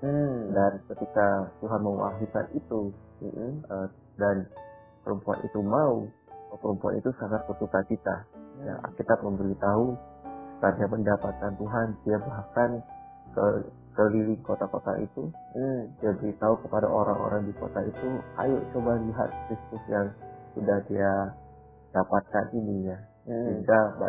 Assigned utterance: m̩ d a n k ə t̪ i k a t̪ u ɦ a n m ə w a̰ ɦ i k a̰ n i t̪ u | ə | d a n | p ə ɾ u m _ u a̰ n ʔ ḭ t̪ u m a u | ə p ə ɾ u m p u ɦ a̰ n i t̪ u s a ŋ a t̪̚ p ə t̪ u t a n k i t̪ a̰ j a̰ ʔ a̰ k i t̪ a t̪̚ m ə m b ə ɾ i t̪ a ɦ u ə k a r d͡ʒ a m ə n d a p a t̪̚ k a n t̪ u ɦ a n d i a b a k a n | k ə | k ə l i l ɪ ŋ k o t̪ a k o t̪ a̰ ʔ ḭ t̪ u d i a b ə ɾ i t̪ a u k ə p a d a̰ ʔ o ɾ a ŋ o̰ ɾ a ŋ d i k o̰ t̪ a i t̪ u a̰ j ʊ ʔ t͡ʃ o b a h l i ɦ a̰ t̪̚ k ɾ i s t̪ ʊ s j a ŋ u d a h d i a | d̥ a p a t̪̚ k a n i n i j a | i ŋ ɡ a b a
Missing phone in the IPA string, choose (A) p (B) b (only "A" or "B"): A